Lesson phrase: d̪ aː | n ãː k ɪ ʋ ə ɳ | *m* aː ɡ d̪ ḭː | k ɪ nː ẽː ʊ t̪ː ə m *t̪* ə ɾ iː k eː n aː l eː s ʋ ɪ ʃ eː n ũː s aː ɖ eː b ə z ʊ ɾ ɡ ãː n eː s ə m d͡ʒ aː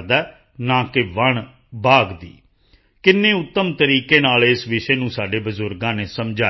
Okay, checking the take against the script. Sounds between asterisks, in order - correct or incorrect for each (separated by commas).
incorrect, correct